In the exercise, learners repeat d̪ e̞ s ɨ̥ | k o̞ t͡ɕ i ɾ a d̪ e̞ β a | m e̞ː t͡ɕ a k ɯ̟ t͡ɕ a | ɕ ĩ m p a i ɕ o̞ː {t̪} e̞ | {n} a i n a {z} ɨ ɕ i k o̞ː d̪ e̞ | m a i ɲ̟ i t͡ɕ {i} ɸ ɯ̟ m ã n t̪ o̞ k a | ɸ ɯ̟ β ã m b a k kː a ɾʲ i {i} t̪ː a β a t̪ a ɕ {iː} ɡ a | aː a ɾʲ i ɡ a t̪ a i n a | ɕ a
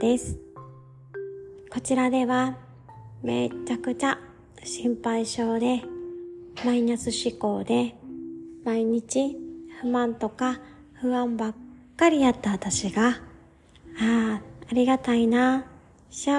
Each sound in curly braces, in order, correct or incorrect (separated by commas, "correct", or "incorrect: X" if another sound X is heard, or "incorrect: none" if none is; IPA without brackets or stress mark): incorrect: d̪, incorrect: m, incorrect: s, correct, incorrect: a, incorrect: i